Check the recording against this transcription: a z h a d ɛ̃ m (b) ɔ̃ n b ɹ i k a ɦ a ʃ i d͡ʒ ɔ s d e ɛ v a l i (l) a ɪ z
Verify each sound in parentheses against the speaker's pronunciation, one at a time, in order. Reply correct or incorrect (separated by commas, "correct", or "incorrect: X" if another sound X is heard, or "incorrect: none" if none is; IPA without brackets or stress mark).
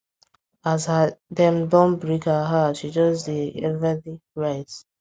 incorrect: d, incorrect: ɹ